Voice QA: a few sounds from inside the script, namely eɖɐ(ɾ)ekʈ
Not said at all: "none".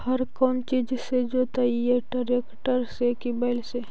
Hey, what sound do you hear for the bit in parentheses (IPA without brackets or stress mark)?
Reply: ɾ